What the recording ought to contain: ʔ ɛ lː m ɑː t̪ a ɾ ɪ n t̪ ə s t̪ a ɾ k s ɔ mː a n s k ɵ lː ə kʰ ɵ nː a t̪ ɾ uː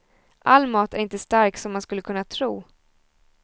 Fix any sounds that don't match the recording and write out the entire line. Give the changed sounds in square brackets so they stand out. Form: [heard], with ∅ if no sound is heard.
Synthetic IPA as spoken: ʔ [a] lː m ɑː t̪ [æ] ɾ ɪ n t̪ ə s t̪ a ɾ k s ɔ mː a n s k ɵ lː ə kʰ ɵ nː a [t̪ʰ] ɾ uː